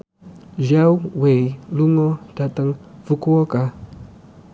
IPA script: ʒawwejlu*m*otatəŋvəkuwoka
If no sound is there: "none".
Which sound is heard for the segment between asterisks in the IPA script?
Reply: ŋ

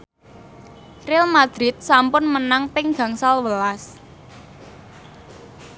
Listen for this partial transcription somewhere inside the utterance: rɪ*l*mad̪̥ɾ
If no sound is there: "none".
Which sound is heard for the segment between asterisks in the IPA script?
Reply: l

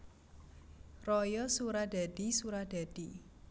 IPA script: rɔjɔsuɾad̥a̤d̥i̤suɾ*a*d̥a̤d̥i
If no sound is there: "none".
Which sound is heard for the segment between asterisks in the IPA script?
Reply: a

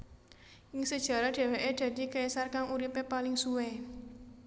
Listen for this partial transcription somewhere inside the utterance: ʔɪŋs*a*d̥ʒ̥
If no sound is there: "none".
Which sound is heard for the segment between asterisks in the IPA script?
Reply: ə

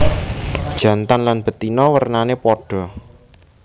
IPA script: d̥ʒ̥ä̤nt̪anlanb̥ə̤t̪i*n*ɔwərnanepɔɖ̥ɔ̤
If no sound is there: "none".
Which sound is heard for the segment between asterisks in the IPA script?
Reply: n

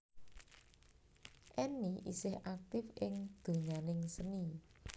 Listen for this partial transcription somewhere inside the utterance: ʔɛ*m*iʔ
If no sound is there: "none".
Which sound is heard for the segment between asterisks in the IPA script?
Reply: n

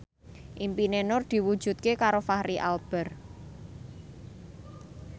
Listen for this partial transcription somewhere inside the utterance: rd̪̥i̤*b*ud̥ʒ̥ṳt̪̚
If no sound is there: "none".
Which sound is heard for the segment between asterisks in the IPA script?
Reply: w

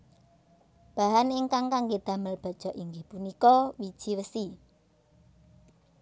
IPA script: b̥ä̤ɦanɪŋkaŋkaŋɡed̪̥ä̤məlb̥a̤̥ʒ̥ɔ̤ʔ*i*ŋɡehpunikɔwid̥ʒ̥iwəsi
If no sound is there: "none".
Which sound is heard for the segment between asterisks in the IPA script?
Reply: i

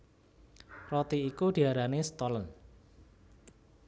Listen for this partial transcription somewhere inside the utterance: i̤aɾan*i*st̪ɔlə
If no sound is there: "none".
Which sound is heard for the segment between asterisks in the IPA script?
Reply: e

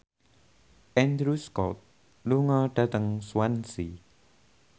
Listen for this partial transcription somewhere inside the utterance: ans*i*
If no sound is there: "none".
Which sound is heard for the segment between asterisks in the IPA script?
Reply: i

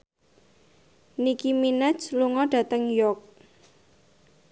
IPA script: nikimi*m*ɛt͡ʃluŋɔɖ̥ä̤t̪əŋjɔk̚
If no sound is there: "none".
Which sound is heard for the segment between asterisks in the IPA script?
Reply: n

